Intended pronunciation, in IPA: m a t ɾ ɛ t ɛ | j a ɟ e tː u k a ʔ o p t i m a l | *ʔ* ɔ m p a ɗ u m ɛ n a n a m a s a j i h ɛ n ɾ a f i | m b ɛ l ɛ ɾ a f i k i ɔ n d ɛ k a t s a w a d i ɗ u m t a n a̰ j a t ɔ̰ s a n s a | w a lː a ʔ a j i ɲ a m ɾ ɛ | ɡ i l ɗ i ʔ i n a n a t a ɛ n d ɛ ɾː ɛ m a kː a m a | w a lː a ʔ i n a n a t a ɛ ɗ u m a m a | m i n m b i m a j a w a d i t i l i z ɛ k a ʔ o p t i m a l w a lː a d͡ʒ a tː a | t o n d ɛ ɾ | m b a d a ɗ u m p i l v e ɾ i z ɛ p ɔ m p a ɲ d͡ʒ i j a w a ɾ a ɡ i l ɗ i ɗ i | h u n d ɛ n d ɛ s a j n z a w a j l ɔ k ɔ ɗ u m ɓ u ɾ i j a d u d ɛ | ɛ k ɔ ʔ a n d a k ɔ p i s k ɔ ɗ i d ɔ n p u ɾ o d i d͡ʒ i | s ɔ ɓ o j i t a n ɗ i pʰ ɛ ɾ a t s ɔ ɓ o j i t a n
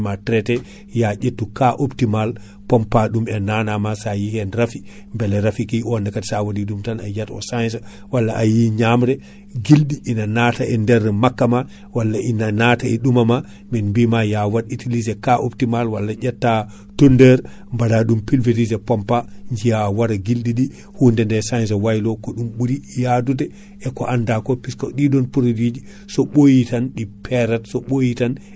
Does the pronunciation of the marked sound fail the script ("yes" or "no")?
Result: yes